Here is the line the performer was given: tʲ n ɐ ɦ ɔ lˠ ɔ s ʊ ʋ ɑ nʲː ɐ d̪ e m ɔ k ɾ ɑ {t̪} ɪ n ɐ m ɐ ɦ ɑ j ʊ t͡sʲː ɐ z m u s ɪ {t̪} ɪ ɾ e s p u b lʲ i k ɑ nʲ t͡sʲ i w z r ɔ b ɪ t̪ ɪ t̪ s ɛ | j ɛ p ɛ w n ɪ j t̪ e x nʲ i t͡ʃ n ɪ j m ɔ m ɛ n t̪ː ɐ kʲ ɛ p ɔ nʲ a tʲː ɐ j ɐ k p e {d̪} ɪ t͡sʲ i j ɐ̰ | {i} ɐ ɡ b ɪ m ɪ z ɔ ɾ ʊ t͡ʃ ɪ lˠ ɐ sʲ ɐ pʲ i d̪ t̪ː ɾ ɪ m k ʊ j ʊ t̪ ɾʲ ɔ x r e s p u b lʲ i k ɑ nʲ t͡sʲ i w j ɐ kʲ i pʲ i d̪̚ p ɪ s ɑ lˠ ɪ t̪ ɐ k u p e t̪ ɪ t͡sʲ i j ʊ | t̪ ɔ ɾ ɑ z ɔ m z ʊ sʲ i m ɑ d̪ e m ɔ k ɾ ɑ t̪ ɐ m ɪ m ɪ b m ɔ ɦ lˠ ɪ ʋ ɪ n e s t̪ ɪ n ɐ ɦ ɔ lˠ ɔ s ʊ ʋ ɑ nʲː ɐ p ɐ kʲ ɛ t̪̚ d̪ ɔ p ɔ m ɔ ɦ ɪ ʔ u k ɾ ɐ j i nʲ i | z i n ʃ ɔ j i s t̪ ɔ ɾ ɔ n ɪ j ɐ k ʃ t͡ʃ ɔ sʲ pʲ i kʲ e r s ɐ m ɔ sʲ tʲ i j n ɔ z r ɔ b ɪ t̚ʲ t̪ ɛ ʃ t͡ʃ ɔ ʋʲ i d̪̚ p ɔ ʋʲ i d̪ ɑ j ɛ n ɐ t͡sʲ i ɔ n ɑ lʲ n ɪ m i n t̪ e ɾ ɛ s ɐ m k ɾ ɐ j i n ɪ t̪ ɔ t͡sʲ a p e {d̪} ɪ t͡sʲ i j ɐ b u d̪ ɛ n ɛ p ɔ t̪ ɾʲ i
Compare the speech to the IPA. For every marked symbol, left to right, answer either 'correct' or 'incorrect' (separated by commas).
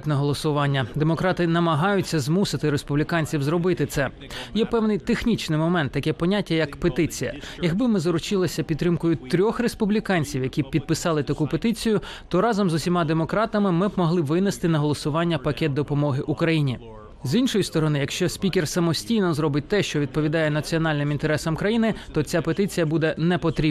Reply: correct, correct, incorrect, incorrect, incorrect